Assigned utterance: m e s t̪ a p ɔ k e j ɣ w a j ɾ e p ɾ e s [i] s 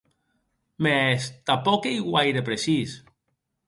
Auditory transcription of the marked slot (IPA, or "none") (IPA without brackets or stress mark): i